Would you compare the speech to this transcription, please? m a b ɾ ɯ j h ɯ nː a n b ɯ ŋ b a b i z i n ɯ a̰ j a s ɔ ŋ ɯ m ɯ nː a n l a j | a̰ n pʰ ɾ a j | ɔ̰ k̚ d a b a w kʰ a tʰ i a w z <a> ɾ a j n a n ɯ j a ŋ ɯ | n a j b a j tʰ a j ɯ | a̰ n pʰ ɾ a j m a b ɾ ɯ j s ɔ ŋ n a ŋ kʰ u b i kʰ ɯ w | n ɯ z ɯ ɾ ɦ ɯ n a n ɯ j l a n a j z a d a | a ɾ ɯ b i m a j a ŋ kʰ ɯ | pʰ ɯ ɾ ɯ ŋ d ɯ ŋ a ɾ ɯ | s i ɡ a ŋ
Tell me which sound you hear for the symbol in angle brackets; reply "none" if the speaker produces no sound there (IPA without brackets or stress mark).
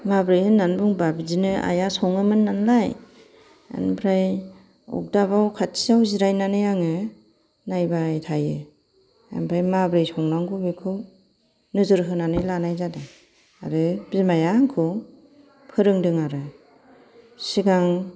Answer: i